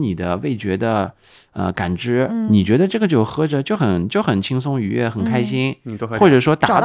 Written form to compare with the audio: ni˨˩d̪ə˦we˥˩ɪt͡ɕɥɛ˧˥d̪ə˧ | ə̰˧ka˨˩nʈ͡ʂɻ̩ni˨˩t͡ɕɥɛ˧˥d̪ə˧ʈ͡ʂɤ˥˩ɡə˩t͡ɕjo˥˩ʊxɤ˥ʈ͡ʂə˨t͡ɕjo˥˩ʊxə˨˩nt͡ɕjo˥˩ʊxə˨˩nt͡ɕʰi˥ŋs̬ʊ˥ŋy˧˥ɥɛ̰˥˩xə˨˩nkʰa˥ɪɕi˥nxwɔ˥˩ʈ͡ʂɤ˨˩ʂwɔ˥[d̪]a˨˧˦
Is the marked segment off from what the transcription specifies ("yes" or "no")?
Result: yes